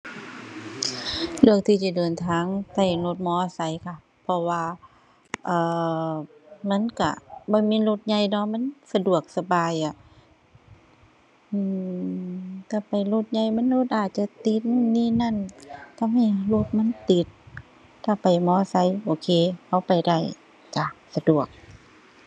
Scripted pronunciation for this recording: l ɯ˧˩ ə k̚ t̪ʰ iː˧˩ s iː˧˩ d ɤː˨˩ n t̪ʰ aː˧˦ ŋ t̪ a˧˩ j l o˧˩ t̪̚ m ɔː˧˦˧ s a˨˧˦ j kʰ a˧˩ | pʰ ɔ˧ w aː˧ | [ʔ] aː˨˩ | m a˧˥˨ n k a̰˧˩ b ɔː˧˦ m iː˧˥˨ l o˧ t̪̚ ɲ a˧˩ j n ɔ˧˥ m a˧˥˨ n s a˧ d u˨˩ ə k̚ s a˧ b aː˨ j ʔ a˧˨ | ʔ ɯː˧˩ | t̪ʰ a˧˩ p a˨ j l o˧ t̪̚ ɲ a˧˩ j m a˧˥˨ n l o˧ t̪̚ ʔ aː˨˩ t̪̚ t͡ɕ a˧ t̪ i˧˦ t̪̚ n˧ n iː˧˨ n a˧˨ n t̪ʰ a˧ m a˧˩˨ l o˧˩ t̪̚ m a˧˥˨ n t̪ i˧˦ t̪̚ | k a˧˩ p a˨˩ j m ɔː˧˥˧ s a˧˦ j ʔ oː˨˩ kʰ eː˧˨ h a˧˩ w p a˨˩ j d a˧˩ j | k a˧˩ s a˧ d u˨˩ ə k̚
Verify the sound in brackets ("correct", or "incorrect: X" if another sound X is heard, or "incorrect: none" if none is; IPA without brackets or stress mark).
correct